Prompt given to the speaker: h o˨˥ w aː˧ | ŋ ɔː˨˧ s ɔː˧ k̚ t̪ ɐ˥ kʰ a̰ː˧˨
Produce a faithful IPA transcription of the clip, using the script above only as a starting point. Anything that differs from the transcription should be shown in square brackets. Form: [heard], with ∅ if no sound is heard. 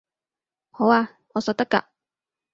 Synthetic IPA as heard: h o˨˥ w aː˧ | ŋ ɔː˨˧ s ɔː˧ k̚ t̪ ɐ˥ [k] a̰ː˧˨